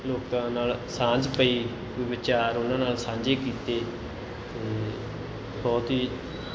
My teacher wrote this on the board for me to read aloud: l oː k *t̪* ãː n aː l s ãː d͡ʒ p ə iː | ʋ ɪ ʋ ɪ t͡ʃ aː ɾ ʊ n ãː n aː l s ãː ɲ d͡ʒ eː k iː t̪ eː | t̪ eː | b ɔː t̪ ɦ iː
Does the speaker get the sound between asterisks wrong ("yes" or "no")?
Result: no